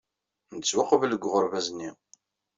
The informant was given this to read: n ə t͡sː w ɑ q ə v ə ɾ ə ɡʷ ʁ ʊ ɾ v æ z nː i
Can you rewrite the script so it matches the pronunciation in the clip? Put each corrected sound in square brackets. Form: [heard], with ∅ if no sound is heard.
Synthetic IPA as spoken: n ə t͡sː w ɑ q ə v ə [l] ə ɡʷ ʁ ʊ ɾ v æ z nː i